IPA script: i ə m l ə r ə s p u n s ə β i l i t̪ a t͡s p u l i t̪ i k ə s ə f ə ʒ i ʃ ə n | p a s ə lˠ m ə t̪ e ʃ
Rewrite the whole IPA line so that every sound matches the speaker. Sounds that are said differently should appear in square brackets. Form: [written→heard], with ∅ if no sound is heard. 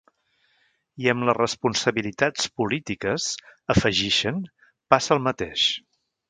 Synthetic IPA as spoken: i ə m l ə r ə s p u n s ə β i l i t̪ a t͡s p u l i t̪ i k ə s ə f ə ʒ i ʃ ə n | p a s ə lˠ m ə t̪ e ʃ